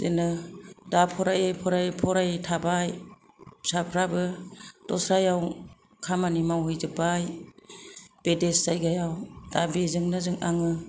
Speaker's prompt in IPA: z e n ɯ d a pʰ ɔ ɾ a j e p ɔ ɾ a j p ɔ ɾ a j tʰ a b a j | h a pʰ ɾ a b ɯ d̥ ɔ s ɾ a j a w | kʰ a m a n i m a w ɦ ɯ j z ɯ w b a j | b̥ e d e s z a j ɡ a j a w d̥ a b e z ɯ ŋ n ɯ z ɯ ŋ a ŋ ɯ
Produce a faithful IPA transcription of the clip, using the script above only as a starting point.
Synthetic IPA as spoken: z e n ɯ d a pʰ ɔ ɾ a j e pʰ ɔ ɾ a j pʰ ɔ ɾ a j tʰ a b a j | s a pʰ ɾ a b ɯ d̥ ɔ s ɾ a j a w | kʰ a m a n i m a w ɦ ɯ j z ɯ b a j | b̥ e d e s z a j ɡ a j a w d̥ a b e z ɯ ŋ n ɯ z ɯ ŋ a ŋ ɯ